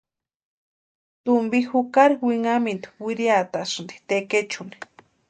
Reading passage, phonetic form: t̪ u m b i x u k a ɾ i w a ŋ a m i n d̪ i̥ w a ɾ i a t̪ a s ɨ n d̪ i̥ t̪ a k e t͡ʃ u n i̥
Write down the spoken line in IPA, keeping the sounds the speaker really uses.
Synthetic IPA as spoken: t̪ u m b i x u k a ɾ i w i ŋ a m i n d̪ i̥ w i ɾ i a t̪ a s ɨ n d̪ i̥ t̪ e k e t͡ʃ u n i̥